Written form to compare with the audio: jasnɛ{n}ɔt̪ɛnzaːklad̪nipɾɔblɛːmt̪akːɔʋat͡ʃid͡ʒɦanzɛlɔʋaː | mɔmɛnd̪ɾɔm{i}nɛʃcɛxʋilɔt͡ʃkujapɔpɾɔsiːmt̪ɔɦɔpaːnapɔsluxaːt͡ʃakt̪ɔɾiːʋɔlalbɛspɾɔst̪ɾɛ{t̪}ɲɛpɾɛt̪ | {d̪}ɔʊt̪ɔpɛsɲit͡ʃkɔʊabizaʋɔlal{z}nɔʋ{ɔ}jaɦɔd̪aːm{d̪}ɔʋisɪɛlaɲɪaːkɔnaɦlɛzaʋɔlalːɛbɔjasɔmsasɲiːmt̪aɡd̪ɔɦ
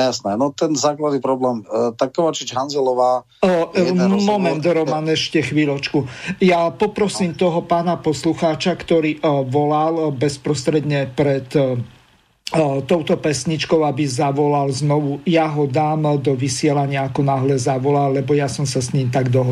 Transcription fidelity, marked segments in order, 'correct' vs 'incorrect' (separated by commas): correct, incorrect, incorrect, incorrect, correct, incorrect, correct